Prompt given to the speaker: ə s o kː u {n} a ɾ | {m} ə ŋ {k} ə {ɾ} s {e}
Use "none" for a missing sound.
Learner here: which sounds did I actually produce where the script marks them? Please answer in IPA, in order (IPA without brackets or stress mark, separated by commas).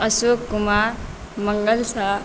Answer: m, m, ɡ, l, a